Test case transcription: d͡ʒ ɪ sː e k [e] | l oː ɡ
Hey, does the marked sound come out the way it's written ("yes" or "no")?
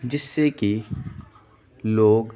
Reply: no